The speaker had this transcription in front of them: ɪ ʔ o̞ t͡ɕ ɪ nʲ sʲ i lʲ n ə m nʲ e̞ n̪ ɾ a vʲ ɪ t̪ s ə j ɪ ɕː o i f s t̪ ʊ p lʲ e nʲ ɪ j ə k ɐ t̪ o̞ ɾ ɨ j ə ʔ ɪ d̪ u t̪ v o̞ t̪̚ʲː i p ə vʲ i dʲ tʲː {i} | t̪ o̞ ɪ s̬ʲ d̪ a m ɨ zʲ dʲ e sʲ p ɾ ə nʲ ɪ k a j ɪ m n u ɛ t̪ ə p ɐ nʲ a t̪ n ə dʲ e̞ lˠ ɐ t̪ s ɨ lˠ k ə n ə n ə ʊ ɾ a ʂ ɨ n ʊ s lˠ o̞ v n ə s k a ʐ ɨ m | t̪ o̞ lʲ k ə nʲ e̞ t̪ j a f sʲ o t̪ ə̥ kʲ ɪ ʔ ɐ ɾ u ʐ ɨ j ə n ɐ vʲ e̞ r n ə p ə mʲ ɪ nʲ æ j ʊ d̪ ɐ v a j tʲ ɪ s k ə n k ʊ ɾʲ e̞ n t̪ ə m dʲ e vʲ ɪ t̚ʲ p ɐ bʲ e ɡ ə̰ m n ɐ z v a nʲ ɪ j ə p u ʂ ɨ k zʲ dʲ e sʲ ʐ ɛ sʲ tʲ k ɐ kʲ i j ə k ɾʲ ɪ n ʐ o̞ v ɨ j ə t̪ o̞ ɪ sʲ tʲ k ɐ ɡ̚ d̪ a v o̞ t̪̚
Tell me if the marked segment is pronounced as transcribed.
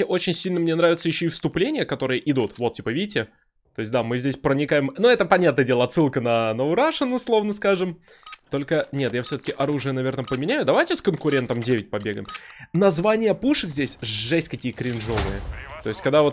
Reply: no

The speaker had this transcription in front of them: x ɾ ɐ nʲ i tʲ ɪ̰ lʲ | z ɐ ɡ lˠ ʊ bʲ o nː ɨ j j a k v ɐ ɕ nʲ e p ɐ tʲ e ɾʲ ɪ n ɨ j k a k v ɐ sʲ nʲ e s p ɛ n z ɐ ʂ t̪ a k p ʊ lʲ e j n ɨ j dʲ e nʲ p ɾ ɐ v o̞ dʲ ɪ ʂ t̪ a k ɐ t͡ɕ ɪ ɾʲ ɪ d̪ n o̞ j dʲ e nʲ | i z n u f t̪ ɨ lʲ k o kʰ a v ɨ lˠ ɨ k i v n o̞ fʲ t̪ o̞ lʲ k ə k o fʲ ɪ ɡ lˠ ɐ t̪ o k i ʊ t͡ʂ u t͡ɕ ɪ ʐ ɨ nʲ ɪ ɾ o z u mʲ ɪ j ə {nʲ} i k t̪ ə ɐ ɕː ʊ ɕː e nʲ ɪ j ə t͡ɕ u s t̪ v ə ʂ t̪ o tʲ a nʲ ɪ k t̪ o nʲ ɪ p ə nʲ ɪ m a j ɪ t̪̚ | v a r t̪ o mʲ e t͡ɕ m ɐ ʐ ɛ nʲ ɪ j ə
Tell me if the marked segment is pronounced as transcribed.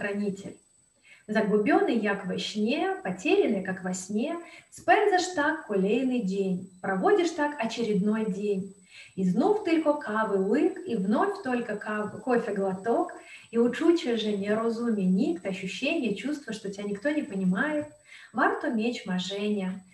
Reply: yes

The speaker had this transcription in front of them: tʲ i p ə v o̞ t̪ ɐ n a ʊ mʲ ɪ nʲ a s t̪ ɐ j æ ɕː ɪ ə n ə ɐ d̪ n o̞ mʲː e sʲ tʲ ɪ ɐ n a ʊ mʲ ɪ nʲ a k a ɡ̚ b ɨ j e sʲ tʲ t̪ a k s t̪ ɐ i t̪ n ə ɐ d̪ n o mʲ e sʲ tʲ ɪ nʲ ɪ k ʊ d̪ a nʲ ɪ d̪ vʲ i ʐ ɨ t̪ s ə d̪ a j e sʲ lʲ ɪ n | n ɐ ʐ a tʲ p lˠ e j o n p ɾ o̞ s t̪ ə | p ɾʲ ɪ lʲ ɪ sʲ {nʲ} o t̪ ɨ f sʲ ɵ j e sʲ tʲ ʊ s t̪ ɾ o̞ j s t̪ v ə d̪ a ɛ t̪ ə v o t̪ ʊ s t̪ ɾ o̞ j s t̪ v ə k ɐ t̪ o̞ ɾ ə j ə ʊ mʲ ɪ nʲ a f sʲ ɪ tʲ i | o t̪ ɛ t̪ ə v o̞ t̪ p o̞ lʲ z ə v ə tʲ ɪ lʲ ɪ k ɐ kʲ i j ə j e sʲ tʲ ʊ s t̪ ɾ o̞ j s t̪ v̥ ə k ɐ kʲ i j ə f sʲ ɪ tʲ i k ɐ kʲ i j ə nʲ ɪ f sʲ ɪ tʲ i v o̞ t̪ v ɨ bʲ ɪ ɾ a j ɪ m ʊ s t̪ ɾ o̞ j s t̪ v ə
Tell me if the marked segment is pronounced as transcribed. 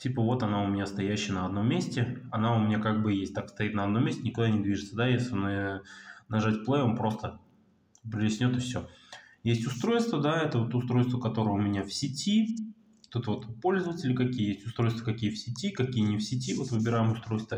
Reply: yes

